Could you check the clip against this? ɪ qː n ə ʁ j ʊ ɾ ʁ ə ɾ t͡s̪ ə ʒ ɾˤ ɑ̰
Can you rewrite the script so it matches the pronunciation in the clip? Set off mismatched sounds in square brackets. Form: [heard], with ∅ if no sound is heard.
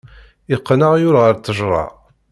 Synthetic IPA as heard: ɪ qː n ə ʁ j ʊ ɾ ʁ ə ɾ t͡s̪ ə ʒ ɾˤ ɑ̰